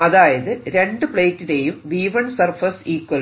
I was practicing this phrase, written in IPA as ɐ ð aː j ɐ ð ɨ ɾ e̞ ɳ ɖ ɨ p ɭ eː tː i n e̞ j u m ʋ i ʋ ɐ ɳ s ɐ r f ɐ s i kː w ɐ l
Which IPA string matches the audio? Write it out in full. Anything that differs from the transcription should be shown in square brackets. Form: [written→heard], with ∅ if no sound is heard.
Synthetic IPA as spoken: ɐ ð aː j ɐ ð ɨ ɾ e̞ ɳ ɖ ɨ p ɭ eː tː i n e̞ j u m ʋ [i→iː] ʋ ɐ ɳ s ɐ r f ɐ s [i→iː] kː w ɐ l

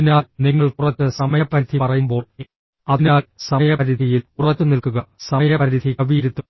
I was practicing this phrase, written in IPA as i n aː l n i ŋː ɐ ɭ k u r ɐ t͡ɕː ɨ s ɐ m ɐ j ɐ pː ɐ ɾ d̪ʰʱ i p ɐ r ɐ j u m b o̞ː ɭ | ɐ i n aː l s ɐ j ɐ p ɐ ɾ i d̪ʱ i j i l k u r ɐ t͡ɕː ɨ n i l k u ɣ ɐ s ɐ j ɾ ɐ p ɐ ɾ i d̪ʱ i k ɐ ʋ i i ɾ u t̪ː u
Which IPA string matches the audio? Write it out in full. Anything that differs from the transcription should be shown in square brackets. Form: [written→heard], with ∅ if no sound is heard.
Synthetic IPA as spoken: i n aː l n i ŋː ɐ ɭ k u r ɐ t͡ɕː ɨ s ɐ m ɐ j ɐ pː ɐ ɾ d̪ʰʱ i p ɐ r ɐ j u m b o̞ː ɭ | ɐ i n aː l s ɐ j ɐ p ɐ ɾ i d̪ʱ i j i l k u r ɐ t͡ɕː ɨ n i l k u ɣ ɐ s ɐ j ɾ ɐ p ɐ ɾ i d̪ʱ i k ɐ ʋ i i ɾ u t̪ː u

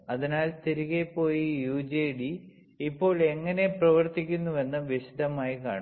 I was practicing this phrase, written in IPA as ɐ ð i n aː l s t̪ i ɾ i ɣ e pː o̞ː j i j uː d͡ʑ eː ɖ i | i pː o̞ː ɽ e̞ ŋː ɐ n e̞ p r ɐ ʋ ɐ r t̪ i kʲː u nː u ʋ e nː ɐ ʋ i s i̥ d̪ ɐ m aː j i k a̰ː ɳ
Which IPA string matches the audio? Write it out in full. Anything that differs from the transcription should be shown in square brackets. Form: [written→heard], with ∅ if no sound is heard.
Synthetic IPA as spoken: ɐ ð i n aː l s t̪ i ɾ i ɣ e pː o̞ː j i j uː d͡ʑ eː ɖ i | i pː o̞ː [ɽ→ɭ] e̞ ŋː ɐ n e̞ p r ɐ ʋ ɐ r t̪ i kʲː u nː u ʋ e nː ɐ ʋ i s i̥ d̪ ɐ m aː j i k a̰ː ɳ

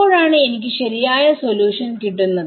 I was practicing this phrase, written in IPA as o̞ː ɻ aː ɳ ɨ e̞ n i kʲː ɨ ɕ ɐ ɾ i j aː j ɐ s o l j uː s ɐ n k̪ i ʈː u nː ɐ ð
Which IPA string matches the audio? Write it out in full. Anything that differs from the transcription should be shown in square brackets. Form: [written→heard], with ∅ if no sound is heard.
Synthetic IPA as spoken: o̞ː ɻ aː ɳ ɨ e̞ n i kʲː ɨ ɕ ɐ ɾ i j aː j ɐ s o l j uː [s→ʂ] ɐ n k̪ i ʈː u nː ɐ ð

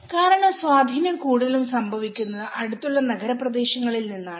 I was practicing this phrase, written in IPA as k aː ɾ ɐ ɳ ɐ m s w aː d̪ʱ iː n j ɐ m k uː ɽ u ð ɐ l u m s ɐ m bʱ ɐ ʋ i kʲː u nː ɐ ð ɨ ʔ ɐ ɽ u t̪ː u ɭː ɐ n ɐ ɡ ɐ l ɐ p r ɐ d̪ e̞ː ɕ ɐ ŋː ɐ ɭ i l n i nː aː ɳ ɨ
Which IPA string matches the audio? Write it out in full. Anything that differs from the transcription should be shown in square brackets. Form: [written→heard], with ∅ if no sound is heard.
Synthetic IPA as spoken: k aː ɾ ɐ ɳ ɐ m s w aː d̪ʱ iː n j ɐ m k uː ɽ u ð ɐ l u m s ɐ m bʱ ɐ ʋ i kʲː u nː ɐ ð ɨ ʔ ɐ ɽ u t̪ː u ɭː ɐ n ɐ ɡ ɐ [l→ɾ] ɐ p r ɐ d̪ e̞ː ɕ ɐ ŋː ɐ ɭ i l n i nː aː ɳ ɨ

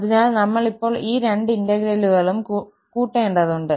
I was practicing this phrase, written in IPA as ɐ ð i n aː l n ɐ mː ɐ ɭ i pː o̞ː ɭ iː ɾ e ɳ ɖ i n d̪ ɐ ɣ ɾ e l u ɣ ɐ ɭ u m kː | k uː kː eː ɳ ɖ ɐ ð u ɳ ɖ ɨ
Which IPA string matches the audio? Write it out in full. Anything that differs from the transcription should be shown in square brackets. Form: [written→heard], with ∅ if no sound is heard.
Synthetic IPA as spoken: ɐ ð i n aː l n ɐ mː ɐ ɭ i pː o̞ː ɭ iː ɾ e ɳ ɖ i n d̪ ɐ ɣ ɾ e l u ɣ ɐ ɭ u m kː | k uː [kː→ʈː] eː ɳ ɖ ɐ ð u ɳ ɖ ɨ

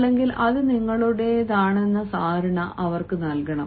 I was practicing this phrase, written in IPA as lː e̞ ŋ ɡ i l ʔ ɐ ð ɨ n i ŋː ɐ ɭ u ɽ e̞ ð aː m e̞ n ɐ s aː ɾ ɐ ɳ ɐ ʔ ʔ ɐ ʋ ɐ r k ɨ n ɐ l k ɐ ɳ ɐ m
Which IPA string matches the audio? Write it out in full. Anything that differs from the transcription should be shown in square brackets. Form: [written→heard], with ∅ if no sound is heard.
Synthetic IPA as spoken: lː e̞ ŋ ɡ i l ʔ ɐ ð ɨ n i ŋː ɐ ɭ u ɽ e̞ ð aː [m→ɳ] e̞ [n→nː] ɐ s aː ɾ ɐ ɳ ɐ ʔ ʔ ɐ ʋ ɐ r k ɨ n ɐ l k ɐ ɳ ɐ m

